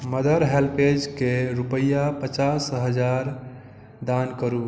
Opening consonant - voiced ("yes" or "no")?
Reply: yes